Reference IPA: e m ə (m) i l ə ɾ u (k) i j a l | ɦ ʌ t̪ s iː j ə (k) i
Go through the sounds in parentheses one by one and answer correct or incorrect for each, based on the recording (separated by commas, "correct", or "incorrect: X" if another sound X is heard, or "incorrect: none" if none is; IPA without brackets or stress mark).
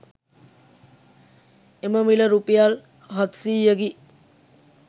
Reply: correct, incorrect: p, incorrect: ɡ